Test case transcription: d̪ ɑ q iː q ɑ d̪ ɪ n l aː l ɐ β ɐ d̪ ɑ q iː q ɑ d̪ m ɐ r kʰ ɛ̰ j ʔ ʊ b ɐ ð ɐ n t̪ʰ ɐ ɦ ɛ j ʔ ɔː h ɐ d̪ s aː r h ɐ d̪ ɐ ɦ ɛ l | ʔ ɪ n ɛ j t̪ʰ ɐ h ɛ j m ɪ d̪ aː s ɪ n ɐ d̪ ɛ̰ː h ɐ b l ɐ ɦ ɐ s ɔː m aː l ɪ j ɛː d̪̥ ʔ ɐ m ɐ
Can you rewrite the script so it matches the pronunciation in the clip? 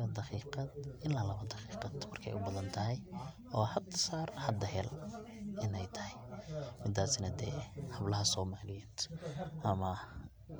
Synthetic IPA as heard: d̪ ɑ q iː q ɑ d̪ ɪ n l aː l ɐ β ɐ d̪ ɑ q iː q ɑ d̪ m ɐ r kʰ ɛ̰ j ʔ ʊ b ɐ ð ɐ n t̪ʰ ɐ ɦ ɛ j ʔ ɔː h ɐ d̪ s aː r h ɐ d̪ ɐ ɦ ɛ l | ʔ ɪ n ɛ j t̪ʰ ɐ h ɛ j m ɪ d̪ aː s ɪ n ɐ d̪ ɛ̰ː h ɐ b l ɐ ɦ ɐ s ɔː m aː l ɪ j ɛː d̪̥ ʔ ɐ m ɐ